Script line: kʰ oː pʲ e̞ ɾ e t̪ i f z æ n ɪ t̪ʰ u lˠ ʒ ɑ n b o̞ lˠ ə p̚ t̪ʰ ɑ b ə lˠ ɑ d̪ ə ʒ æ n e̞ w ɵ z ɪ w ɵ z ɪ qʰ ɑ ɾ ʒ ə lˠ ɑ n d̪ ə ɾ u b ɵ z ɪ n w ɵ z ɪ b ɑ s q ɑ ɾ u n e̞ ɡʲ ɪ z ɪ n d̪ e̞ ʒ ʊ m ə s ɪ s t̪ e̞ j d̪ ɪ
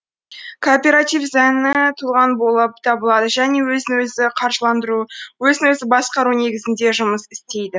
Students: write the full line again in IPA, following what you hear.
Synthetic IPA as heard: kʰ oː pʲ e̞ ɾ a t̪ i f z æ n ɪ t̪ʰ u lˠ ʁ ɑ n b o̞ lˠ ə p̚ t̪ʰ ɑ b ə lˠ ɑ d̪ ə ʒ æ n e̞ w ɵ z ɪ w ɵ z ɪ qʰ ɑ ɾ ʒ ə lˠ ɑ n d̪ ə ɾ u w ɵ z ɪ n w ɵ z ɪ b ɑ s q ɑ ɾ u n e̞ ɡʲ ɪ z ɪ n d̪ e̞ ʒ ʊ m ə s ɪ s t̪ e̞ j d̪ ɪ